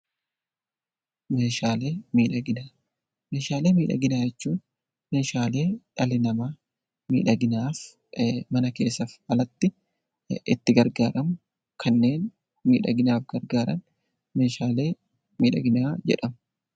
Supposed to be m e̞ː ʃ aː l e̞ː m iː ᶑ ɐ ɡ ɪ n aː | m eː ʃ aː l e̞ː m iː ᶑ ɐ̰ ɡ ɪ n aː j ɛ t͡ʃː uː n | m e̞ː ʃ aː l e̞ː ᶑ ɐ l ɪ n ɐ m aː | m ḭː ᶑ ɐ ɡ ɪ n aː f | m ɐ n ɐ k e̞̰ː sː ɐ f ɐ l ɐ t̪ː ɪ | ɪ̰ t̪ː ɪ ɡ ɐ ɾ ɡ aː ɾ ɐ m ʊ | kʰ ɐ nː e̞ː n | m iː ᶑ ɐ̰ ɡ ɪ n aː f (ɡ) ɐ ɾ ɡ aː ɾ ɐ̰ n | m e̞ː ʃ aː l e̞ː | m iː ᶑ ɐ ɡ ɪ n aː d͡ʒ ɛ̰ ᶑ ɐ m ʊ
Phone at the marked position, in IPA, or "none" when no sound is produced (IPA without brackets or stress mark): ɡ